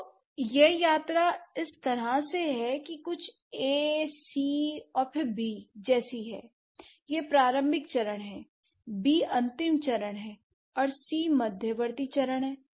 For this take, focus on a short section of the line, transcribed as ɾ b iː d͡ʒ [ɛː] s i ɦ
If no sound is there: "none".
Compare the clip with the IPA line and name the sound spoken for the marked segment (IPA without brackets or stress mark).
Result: ɛː